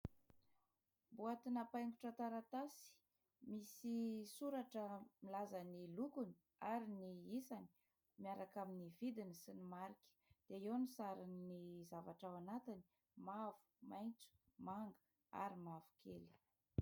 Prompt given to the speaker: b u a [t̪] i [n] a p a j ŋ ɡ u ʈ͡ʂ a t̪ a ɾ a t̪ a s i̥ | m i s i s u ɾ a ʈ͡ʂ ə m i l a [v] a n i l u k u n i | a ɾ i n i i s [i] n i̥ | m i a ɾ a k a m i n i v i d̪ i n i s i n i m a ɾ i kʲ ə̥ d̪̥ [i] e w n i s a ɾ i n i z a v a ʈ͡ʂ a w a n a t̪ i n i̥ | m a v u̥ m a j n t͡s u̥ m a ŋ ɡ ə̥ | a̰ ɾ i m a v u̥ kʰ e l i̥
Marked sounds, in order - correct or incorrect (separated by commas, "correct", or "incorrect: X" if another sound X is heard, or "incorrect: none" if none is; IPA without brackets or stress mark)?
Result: correct, correct, incorrect: z, incorrect: a, incorrect: e